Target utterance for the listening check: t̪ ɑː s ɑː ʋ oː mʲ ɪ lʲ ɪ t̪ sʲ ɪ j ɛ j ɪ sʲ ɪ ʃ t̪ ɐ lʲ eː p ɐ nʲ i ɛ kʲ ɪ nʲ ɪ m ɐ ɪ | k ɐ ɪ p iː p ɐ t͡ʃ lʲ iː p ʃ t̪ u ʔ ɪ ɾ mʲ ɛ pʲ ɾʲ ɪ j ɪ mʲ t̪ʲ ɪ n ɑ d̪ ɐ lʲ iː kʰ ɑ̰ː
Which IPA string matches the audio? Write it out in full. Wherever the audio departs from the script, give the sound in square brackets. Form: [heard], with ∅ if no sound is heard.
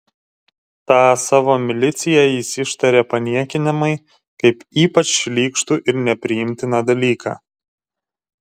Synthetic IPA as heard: t̪ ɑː s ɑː ʋ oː mʲ ɪ lʲ ɪ t̪ sʲ ɪ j ɛ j ɪ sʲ ɪ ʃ t̪ ɐ [ɾʲ] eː p ɐ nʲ i ɛ kʲ ɪ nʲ ɪ m ɐ ɪ | k ɐ ɪ p iː p ɐ t͡ʃ lʲ iː [k] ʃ t̪ u ʔ ɪ ɾ [nʲ] ɛ pʲ ɾʲ ɪ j ɪ mʲ t̪ʲ ɪ n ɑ d̪ ɐ lʲ iː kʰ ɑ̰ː